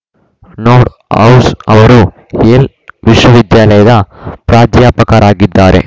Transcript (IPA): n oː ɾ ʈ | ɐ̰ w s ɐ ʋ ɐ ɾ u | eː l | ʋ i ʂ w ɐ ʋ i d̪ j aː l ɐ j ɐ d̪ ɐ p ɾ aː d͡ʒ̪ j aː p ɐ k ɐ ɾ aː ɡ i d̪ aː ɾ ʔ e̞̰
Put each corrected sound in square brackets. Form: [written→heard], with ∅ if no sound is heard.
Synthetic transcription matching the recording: n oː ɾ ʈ | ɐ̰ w s ɐ ʋ ɐ ɾ u | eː l | ʋ i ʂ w ɐ ʋ i d̪ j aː l ɐ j ɐ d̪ ɐ p ɾ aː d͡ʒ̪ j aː p ɐ k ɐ ɾ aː ɡ i [d̪→d̪ː] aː ɾ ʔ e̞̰